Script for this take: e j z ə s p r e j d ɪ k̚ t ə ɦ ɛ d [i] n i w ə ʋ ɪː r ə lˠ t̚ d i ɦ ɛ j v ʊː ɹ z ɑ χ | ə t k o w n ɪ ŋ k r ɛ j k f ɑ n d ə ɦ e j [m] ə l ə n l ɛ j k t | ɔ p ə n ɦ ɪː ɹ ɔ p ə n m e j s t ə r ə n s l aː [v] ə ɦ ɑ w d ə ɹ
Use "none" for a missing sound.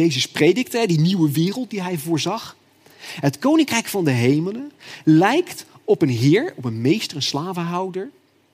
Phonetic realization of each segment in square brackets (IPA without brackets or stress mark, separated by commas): i, m, v